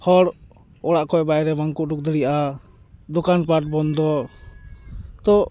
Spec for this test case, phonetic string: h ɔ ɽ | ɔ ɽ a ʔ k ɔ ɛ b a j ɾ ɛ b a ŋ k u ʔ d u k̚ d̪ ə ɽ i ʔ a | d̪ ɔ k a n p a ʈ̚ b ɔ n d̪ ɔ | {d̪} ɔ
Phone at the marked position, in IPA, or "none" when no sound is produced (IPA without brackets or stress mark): t̪